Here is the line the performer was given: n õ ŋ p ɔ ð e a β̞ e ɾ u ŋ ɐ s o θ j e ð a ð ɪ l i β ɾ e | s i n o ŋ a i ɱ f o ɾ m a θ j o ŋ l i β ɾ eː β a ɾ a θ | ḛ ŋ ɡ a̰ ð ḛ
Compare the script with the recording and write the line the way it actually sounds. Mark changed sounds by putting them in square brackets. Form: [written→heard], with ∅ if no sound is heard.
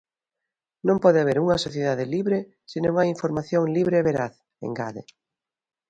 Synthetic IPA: n õ [ŋ→m] p ɔ ð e a β̞ e ɾ u ŋ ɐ s o θ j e ð a ð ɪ l i β ɾ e | s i n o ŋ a i ɱ f o ɾ m a θ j o ŋ l i β ɾ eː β [a→e] ɾ a θ | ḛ ŋ ɡ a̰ ð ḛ